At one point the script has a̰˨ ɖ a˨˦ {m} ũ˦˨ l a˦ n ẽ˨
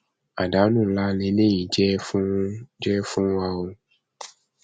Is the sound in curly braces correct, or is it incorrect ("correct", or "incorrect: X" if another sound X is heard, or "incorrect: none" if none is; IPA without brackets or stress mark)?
incorrect: n